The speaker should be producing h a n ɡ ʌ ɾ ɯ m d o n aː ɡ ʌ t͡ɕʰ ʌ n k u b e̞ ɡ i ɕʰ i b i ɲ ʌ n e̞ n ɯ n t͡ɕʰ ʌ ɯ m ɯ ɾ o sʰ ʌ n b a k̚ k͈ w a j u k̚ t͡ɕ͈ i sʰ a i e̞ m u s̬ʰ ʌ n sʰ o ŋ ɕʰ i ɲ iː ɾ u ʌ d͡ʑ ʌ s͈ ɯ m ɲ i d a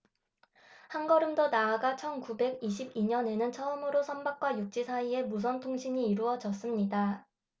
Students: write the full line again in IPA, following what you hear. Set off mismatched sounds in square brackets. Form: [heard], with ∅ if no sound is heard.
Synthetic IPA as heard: h a n ɡ ʌ ɾ ɯ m d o n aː ɡ [a] t͡ɕʰ ʌ n k u b e̞ ɡ i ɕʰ i b i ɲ ʌ n e̞ n ɯ n t͡ɕʰ ʌ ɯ m ɯ ɾ o sʰ ʌ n b a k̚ k͈ w a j u k̚ t͡ɕ͈ i sʰ a i e̞ m u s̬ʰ ʌ n [tʰ] o ŋ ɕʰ i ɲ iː ɾ u ʌ d͡ʑ ʌ s͈ ɯ m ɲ i d a